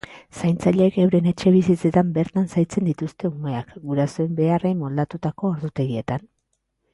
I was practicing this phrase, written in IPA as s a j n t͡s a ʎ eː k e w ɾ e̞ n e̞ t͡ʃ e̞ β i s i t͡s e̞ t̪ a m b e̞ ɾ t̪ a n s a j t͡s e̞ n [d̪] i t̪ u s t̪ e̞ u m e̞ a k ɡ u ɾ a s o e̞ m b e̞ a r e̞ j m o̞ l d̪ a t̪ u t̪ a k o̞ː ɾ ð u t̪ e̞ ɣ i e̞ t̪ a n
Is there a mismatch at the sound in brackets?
no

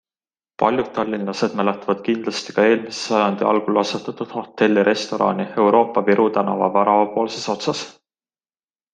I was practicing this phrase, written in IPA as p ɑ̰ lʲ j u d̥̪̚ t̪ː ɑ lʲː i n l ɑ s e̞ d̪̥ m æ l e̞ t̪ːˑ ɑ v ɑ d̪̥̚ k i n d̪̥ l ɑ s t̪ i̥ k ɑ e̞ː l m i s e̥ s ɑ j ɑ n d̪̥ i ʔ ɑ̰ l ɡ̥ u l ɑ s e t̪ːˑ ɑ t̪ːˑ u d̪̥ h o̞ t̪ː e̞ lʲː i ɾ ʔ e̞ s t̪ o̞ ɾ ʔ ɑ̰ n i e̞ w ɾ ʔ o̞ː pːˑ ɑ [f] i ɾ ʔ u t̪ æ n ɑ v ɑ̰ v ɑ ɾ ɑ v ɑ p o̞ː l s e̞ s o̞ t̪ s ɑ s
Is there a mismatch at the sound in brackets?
yes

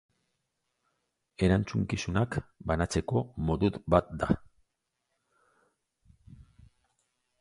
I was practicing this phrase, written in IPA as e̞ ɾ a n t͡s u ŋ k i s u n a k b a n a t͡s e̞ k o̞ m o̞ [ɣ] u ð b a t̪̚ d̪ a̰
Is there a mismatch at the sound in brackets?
yes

